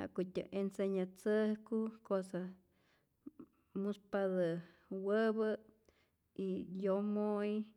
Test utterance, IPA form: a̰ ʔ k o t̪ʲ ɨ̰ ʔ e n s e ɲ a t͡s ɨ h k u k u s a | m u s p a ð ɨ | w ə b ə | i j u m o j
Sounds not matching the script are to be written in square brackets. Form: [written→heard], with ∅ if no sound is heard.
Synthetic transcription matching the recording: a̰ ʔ k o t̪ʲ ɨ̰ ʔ e n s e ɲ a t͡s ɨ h k u k [u→o] s a | m u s p a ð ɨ | w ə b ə | i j [u→o] m o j

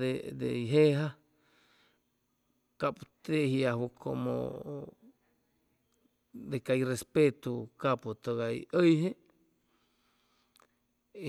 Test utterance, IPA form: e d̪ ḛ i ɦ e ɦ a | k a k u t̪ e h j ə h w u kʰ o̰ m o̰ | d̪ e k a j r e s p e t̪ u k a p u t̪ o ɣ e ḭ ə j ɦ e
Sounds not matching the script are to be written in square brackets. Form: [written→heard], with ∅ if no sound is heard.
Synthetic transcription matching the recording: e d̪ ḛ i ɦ e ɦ a | k a [k→p] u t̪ e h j [ə→a] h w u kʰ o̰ m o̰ | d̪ e k a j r e s p e t̪ u k a p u t̪ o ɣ [e→a] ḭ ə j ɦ e

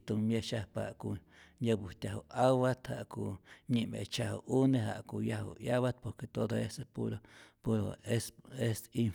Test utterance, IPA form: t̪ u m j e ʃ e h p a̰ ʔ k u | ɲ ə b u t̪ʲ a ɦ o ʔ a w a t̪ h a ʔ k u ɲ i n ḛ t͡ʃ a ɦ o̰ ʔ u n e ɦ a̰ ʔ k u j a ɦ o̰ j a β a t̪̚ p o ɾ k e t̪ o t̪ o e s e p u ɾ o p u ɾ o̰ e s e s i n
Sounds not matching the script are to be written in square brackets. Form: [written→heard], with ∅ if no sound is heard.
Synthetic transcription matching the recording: t̪ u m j e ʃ [e→a] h p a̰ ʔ k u | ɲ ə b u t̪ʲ a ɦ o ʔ a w a t̪ h a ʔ k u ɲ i [n→m] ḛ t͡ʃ a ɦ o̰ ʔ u n e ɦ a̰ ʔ k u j a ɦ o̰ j a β a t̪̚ p o ɾ k e t̪ o [t̪→d̪] o e s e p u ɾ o p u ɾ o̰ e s e s i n

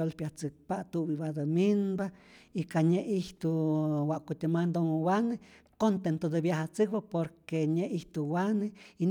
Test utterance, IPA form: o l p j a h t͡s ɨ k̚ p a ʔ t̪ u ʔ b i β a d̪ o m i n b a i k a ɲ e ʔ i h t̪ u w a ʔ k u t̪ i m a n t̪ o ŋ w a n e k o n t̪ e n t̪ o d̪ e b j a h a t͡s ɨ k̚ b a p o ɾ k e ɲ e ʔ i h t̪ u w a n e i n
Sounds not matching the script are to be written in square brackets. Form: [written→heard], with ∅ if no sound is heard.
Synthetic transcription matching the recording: o l p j a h t͡s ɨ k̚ p a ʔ t̪ u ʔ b i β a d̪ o m i n b a i k a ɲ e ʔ i h t̪ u w a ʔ k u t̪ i m a n [t̪→d̪] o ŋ w a n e k o n t̪ e n t̪ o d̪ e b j a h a t͡s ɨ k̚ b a p o ɾ k e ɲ e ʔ i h t̪ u w a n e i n

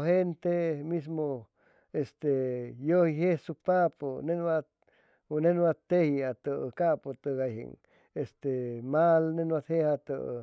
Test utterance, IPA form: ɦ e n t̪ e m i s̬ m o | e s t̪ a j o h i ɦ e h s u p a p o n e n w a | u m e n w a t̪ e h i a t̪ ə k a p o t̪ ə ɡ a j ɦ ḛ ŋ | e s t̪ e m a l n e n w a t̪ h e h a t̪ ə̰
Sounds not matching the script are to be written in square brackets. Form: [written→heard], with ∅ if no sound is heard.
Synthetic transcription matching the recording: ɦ e n t̪ e m i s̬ m o | e s t̪ [a→e] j o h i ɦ e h s u p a p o n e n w a | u [m→n] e n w a t̪ e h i a t̪ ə k a p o t̪ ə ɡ a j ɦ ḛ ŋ | e s t̪ e m a l n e n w a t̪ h e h a t̪ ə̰

